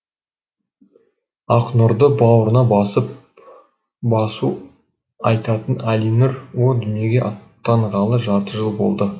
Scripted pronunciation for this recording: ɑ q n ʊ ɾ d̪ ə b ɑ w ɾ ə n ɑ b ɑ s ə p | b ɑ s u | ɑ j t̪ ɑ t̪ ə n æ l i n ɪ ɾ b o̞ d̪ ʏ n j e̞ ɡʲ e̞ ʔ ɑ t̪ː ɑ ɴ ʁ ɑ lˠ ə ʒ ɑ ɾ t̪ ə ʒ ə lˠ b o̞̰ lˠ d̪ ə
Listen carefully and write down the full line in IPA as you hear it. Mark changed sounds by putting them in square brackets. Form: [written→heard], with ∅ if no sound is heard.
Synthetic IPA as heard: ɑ q n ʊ ɾ d̪ ə b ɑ w ɾ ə n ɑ b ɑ s ə p | b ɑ s u | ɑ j t̪ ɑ t̪ ə n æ l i n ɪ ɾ [b→w] o̞ d̪ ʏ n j e̞ ɡʲ e̞ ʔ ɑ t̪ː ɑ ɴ ʁ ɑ lˠ ə ʒ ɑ ɾ t̪ ə ʒ ə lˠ b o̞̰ lˠ d̪ ə

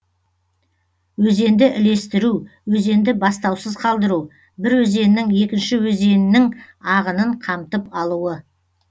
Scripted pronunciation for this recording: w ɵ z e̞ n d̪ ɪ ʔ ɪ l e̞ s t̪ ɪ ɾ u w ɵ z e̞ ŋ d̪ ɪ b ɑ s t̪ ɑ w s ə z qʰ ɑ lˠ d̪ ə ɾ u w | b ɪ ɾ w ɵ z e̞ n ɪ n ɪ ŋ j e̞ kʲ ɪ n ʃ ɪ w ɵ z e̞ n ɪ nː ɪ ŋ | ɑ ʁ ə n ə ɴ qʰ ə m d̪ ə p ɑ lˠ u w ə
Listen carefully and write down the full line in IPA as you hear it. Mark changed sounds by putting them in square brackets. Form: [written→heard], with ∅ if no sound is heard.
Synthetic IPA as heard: w ɵ z e̞ n d̪ ɪ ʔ ɪ l e̞ s t̪ ɪ ɾ u w ɵ z e̞ [ŋ→n] d̪ ɪ b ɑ s t̪ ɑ w s ə z qʰ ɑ lˠ d̪ ə ɾ u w | b ɪ ɾ w ɵ z e̞ n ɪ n ɪ ŋ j e̞ kʲ ɪ n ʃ ɪ w ɵ z e̞ n ɪ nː ɪ ŋ | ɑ ʁ ə n ə ɴ qʰ [ə→ɑ] m [d̪→t̪] ə p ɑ lˠ u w ə

